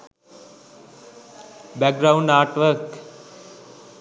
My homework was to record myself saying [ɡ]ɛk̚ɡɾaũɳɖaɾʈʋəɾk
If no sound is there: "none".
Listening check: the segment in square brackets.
b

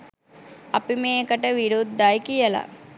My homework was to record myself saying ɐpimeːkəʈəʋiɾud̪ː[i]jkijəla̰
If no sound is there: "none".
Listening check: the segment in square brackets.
a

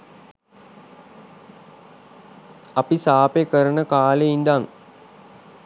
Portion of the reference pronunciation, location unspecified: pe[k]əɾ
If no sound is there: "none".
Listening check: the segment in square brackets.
k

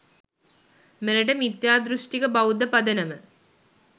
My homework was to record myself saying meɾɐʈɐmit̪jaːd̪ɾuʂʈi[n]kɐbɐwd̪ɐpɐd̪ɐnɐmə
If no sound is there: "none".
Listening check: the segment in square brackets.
none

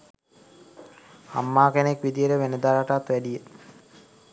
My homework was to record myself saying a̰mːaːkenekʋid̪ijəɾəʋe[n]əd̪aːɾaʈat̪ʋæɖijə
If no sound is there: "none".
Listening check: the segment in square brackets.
n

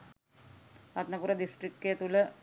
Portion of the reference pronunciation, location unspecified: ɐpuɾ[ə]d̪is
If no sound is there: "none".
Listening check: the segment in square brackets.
ɐ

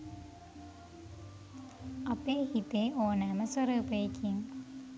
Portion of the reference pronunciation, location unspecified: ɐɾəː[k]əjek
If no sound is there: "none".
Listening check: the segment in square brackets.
p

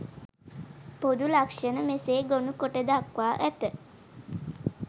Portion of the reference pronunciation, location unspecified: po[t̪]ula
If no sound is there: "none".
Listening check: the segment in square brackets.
d̪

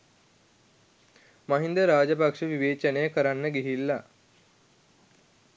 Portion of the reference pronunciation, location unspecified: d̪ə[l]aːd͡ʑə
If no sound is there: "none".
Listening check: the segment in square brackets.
ɾ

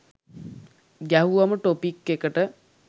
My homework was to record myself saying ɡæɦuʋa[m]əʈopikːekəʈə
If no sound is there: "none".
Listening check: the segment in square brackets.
m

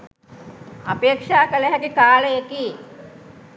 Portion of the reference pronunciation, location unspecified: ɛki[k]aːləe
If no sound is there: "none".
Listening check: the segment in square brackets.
k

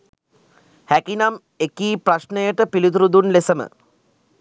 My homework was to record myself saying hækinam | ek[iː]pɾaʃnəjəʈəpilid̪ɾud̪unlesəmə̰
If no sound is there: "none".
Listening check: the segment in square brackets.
iː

